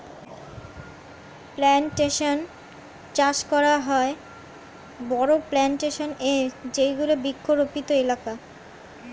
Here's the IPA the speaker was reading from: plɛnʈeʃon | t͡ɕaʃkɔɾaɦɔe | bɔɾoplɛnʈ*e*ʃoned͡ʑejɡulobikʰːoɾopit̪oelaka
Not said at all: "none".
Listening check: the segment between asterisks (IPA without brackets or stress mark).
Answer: e